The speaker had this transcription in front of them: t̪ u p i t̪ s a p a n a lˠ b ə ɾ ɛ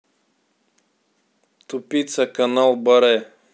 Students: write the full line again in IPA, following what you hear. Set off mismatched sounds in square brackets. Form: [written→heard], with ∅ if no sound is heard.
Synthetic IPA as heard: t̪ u p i t̪ s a [p→k] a n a lˠ b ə ɾ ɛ